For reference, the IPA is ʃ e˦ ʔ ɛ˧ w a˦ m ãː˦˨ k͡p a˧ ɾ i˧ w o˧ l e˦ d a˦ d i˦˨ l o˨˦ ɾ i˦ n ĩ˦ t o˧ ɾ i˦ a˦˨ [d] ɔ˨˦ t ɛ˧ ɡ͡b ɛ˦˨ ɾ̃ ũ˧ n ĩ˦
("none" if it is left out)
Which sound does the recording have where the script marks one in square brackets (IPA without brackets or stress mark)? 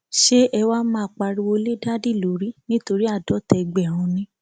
d